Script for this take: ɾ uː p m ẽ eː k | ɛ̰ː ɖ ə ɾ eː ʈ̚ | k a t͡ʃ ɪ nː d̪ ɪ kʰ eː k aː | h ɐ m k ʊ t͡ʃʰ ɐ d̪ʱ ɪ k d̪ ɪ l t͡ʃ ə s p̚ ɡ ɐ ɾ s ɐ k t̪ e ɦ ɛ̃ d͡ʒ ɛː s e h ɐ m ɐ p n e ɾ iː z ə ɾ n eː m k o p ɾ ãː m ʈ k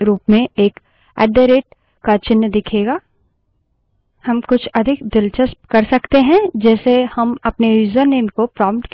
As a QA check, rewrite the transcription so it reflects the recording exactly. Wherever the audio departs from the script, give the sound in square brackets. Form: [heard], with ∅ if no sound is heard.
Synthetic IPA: ɾ uː p m ẽ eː k | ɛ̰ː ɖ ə ɾ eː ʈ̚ | k a t͡ʃ ɪ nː d̪ ɪ kʰ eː [ɡ] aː | h ɐ m k ʊ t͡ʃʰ ɐ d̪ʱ ɪ k d̪ ɪ l t͡ʃ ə s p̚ [k] ɐ ɾ s ɐ k t̪ e ɦ ɛ̃ d͡ʒ ɛː s e h ɐ m ɐ p n e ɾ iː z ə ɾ n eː m k o p ɾ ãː m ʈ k